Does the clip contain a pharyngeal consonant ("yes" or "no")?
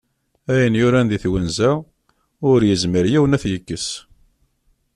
no